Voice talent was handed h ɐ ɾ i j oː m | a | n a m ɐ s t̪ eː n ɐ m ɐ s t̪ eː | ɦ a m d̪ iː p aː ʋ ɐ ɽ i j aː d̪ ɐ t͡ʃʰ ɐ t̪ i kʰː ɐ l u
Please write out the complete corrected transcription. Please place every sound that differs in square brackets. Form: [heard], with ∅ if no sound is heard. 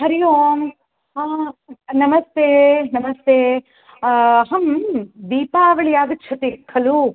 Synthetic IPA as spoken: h ɐ ɾ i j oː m | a | n [ɐ] m ɐ s t̪ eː n ɐ m ɐ s t̪ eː | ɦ [ɐ] m d̪ iː p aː ʋ ɐ [ɭ] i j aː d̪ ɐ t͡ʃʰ ɐ t̪ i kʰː ɐ l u